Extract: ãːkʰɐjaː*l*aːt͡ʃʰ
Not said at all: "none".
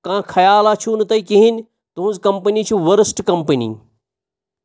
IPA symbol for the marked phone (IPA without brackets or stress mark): l